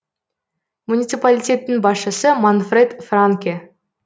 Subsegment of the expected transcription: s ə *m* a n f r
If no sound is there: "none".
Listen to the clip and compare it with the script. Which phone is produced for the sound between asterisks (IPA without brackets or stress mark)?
m